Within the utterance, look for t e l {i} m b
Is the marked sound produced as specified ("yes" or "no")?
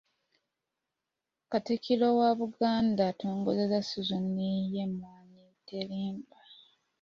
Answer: no